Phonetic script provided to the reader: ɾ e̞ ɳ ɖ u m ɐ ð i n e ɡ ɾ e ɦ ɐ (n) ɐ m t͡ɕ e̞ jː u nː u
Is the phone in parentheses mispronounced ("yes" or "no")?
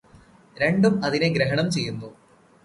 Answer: yes